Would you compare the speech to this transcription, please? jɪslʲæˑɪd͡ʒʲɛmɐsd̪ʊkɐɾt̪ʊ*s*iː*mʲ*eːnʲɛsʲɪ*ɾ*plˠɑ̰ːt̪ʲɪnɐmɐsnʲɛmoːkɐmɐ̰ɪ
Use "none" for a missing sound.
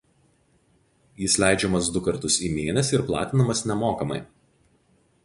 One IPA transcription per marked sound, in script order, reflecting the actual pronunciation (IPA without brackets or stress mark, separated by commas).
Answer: s, mʲ, ɾ